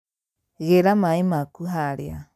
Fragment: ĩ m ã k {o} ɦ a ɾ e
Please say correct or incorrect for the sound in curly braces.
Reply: incorrect: u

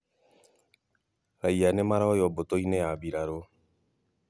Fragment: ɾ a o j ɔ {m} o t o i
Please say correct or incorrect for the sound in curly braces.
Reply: incorrect: b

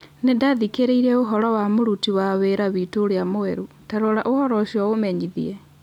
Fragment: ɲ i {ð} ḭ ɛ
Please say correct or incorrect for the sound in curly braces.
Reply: correct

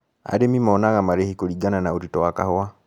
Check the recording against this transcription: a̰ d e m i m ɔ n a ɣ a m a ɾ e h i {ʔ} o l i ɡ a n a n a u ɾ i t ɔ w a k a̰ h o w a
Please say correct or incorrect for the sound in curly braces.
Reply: incorrect: k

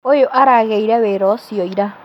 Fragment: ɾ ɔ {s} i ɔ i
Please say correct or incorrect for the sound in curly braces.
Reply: correct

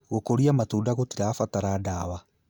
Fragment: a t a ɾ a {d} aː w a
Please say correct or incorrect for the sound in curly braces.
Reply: correct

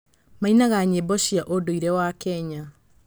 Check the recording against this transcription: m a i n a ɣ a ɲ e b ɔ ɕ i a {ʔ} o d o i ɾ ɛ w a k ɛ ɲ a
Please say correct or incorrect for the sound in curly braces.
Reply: correct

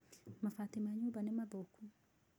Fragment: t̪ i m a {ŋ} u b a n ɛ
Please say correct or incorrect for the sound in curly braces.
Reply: incorrect: ɲ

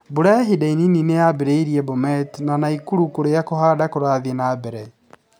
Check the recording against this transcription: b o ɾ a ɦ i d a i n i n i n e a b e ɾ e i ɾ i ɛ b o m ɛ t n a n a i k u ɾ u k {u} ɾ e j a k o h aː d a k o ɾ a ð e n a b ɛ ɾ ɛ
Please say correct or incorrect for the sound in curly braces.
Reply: incorrect: o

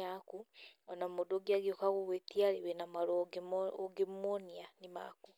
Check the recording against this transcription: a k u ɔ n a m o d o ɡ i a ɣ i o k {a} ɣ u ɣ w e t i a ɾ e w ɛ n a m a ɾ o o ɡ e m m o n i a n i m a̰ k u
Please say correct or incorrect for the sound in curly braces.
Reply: correct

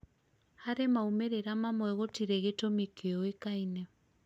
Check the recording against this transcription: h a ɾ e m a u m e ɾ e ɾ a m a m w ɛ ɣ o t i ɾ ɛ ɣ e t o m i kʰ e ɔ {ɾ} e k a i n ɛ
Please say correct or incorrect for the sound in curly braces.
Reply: incorrect: none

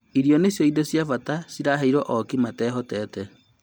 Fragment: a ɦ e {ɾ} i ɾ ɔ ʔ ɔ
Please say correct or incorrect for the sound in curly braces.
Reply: incorrect: none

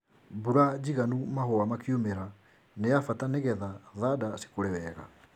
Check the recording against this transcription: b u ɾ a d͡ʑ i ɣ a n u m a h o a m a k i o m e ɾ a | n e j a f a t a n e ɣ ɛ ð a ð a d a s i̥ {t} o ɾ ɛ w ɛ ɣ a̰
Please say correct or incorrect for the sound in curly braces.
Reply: incorrect: k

